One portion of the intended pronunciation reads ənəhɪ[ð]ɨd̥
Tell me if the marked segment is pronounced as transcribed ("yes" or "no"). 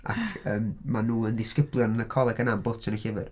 no